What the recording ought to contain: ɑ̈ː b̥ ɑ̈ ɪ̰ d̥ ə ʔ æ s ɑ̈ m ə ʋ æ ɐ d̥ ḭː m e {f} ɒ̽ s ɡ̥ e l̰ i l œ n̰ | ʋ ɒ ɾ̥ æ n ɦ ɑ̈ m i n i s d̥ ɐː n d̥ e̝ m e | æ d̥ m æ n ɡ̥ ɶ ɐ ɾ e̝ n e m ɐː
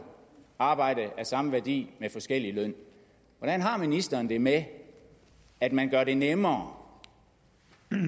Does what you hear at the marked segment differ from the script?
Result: no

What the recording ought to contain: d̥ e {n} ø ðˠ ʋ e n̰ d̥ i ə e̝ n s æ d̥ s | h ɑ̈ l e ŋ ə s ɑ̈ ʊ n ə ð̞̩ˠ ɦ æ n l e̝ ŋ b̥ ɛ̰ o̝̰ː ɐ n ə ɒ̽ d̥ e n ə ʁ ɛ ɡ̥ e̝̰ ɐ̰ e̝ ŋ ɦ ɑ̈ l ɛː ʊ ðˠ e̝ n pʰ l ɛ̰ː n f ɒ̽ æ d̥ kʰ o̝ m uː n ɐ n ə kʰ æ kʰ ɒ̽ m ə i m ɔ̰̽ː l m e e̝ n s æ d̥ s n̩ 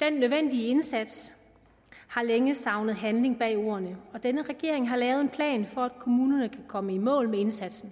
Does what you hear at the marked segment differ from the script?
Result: yes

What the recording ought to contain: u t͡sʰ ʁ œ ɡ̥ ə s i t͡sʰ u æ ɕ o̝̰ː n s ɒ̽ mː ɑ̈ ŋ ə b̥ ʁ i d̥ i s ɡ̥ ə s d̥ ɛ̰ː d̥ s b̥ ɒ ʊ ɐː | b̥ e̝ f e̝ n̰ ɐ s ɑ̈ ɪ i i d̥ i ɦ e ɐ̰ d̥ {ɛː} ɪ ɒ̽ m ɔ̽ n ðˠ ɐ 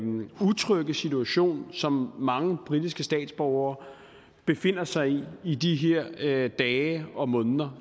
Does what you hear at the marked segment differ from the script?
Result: no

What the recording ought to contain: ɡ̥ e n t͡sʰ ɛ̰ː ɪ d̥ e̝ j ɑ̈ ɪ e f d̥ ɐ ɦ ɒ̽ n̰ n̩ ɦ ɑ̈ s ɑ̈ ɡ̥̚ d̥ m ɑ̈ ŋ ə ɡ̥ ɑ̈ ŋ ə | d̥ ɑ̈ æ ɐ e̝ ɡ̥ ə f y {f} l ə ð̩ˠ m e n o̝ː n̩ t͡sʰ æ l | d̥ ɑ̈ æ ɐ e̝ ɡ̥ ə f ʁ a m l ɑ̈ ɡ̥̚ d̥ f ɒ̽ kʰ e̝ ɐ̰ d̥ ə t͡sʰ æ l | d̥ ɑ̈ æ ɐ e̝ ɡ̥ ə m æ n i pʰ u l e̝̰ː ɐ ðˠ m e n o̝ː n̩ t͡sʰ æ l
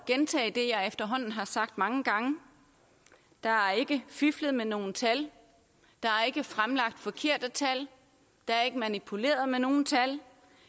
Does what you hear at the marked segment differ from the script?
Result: no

